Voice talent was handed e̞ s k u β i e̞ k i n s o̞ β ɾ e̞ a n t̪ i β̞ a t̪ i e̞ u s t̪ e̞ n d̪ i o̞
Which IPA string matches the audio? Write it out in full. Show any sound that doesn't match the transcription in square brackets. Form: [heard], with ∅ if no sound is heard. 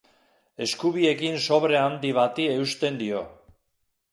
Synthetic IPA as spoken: e̞ s k u β i e̞ k i n s o̞ β ɾ e̞ a n [d̪] i β̞ a t̪ i e̞ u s t̪ e̞ n d̪ i o̞